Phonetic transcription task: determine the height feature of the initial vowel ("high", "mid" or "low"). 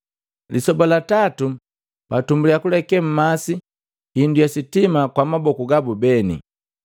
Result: high